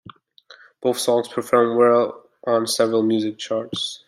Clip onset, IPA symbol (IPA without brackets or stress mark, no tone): b̥